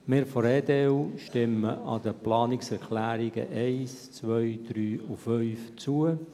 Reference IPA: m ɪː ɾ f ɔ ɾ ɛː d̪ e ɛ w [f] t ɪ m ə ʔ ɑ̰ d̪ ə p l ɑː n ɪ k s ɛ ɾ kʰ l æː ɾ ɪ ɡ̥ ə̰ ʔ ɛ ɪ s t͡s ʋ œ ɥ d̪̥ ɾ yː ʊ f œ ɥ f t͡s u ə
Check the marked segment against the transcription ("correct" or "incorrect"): incorrect